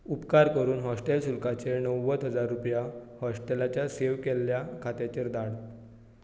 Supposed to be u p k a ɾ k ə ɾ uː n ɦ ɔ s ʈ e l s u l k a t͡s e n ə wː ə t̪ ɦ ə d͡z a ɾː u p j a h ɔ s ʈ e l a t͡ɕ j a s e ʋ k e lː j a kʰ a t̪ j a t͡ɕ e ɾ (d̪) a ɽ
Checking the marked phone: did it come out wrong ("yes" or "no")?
no